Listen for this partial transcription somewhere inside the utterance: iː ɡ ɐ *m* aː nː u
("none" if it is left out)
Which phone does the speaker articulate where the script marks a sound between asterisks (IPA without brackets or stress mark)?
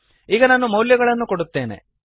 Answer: n